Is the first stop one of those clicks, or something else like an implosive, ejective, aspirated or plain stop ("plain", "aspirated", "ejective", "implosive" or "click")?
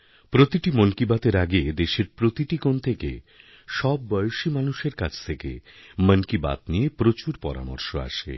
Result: plain